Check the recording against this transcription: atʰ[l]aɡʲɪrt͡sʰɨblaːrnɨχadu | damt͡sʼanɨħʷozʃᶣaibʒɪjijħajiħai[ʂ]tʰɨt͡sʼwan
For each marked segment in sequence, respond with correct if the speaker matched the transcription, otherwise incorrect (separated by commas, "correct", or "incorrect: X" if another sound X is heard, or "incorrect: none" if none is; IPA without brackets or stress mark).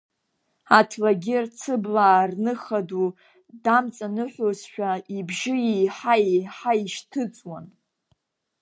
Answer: correct, incorrect: ʃ